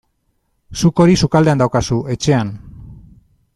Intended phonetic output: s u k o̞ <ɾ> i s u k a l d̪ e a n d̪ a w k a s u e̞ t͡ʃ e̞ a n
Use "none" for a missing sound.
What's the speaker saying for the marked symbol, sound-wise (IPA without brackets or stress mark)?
ɾ